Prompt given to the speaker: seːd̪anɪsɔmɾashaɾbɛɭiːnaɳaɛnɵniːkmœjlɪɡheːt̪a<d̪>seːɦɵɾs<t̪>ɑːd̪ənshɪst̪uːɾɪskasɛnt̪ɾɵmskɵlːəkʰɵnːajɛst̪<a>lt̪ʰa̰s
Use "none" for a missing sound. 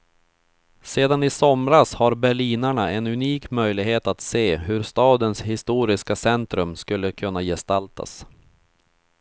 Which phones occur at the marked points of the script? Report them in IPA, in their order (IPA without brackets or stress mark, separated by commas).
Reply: t̪, t̪, a